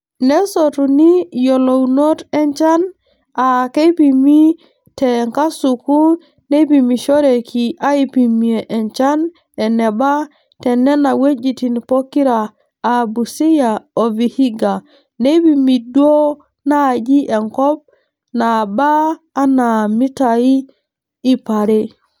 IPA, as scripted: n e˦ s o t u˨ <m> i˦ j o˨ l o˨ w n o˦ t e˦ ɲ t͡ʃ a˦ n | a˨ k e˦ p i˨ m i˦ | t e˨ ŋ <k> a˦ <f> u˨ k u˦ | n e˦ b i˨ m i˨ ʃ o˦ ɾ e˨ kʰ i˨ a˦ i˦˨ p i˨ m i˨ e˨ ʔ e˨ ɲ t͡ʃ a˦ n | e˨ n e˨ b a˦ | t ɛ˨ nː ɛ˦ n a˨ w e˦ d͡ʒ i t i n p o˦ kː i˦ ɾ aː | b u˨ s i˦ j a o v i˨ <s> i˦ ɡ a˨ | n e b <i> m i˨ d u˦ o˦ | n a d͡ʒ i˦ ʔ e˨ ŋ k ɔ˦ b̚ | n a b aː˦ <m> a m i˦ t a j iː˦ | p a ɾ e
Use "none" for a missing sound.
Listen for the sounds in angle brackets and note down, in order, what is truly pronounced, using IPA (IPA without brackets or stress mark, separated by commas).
n, k, s, h, i, n